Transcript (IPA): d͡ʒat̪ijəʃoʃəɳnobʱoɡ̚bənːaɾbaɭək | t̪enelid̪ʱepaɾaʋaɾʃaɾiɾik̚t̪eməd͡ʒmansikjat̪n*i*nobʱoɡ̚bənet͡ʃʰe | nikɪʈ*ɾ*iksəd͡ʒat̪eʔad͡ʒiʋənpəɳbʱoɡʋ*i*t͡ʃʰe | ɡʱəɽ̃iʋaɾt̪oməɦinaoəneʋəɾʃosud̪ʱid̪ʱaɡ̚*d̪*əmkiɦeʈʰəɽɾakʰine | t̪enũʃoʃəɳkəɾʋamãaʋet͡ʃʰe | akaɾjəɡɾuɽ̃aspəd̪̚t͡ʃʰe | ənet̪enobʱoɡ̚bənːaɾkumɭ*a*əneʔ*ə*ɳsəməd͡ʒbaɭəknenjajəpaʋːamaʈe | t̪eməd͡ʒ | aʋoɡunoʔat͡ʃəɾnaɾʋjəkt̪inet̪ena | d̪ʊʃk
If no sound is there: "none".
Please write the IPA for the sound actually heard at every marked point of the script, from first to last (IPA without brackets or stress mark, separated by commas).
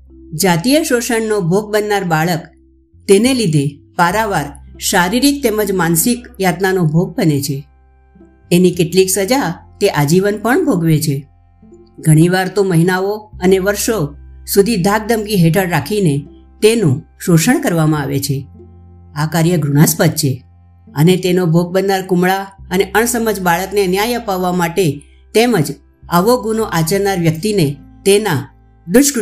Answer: a, l, e, d̪, a, ə